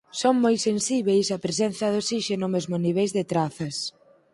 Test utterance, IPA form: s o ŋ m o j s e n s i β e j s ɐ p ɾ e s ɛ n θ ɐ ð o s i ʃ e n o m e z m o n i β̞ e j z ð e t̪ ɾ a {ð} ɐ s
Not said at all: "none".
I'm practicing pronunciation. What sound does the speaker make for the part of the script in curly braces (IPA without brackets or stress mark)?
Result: θ